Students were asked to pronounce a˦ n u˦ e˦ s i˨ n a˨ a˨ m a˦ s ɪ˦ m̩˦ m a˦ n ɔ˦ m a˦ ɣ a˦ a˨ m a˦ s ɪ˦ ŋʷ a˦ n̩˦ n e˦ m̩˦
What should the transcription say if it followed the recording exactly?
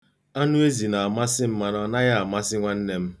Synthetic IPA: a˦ n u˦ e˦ z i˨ n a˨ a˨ m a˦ s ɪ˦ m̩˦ m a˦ n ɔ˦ n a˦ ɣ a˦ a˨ m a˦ s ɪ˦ ŋʷ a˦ n̩˦ n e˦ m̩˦